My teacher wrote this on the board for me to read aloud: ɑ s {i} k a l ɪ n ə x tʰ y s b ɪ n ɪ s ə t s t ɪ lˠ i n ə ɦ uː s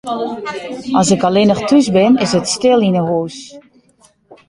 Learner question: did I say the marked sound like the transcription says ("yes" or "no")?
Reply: no